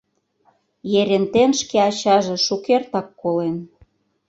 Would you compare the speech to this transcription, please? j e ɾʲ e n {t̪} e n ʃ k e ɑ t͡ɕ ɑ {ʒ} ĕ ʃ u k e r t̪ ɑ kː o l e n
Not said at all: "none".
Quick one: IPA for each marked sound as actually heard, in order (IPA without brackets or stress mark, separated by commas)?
t̪, ʒ